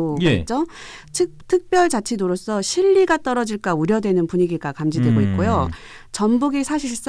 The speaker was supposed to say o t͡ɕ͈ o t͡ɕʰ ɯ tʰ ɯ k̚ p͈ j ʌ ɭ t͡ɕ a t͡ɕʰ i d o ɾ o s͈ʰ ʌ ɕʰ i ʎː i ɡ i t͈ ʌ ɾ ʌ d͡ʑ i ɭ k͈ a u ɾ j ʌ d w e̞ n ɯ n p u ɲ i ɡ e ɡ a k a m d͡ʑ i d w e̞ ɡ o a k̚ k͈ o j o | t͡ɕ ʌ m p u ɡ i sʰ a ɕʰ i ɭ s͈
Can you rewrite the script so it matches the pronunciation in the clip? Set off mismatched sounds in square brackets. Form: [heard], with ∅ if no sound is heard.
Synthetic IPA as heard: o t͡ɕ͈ o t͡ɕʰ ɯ tʰ ɯ k̚ p͈ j ʌ ɭ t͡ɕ a t͡ɕʰ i d o ɾ o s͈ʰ ʌ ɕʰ i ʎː i ɡ [a] t͈ ʌ ɾ ʌ d͡ʑ i ɭ k͈ a u ɾ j ʌ d w e̞ n ɯ n p u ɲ i ɡ [i] ɡ a k a m d͡ʑ i d w e̞ ɡ o [i] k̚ k͈ o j o | t͡ɕ ʌ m [b] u ɡ i sʰ a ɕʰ i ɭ s͈